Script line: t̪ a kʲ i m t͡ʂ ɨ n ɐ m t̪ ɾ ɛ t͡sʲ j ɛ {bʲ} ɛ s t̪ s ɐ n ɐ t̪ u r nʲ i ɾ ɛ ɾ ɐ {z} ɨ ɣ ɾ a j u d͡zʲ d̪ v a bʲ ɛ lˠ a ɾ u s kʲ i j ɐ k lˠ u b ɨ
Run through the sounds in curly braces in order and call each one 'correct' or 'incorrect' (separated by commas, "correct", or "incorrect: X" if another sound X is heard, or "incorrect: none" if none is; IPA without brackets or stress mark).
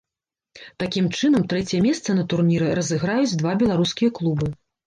incorrect: mʲ, correct